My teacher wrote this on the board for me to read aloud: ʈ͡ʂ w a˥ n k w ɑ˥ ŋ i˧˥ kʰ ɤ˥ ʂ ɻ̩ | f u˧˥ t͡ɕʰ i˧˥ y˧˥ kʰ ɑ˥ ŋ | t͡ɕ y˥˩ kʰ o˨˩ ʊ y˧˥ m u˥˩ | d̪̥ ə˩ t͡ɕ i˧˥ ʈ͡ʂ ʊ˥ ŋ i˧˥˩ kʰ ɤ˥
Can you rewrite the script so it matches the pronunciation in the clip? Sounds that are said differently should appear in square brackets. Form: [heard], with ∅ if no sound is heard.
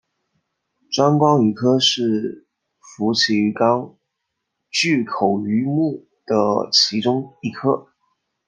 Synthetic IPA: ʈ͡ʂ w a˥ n k w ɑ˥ ŋ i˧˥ kʰ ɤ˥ ʂ ɻ̩ | f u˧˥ t͡ɕʰ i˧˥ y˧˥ [k] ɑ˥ ŋ | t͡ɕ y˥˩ kʰ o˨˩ ʊ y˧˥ m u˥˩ | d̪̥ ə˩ [t͡ɕʰ] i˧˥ ʈ͡ʂ ʊ˥ ŋ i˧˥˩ kʰ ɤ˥